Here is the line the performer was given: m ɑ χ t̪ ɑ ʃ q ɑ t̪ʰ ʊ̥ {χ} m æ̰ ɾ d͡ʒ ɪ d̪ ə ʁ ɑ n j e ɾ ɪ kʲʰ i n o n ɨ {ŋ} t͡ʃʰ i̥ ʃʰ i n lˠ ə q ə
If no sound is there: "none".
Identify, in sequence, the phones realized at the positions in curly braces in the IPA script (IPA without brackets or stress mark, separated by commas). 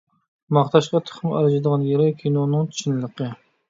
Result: χ, ŋ